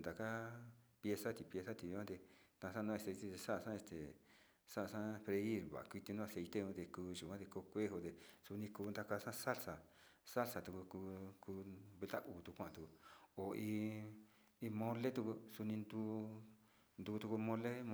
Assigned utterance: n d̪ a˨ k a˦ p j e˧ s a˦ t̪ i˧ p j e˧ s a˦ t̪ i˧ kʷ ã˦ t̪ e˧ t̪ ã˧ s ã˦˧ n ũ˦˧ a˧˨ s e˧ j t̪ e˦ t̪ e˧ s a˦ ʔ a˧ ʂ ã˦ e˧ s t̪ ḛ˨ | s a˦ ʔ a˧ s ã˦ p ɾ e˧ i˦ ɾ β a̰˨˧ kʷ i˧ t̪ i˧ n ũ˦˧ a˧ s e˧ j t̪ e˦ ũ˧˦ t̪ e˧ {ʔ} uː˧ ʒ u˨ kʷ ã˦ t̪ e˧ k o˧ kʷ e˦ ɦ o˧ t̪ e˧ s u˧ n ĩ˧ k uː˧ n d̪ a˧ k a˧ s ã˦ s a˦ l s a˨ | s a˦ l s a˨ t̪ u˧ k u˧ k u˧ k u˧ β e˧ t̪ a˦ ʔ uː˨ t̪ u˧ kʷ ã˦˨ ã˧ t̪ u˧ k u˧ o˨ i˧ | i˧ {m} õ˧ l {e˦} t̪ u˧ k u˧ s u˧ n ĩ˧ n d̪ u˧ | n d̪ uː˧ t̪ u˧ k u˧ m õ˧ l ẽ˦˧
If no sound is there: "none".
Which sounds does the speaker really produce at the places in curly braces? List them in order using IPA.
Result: k, m, e˦

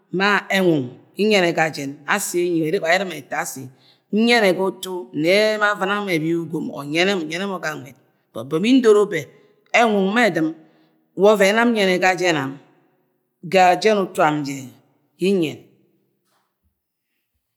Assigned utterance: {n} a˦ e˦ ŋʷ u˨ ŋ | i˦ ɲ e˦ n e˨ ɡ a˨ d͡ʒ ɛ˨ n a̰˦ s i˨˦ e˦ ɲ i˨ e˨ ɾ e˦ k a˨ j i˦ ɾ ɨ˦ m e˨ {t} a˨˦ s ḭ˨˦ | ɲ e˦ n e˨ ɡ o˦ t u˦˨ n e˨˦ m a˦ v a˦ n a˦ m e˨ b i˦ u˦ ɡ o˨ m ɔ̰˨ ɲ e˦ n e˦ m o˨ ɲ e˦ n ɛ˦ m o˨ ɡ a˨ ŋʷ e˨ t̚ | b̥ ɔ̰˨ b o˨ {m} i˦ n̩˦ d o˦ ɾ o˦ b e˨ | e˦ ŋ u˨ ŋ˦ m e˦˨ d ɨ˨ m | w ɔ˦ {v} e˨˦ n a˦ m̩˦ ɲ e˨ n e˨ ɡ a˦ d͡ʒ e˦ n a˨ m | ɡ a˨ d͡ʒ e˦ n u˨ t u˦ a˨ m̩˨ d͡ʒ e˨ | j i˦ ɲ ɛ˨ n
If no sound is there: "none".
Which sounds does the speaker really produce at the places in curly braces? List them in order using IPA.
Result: m, t, m, v

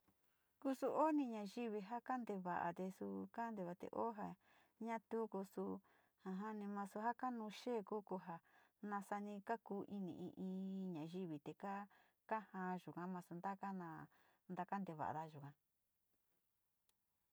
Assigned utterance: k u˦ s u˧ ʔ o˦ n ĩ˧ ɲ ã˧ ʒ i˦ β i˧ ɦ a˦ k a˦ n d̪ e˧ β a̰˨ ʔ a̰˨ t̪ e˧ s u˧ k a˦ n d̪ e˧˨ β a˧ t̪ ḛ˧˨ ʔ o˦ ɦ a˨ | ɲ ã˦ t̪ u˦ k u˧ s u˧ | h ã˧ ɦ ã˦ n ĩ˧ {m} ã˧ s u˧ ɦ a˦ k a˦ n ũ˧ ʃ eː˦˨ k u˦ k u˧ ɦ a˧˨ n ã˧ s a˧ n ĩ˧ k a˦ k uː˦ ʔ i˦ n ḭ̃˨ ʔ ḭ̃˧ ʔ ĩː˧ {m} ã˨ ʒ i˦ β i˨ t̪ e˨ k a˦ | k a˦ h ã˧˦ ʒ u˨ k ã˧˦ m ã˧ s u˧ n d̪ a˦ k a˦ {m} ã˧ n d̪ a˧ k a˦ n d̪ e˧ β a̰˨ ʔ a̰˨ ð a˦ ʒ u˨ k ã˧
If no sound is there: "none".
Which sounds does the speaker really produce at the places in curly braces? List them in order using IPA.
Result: m, ɲ, n

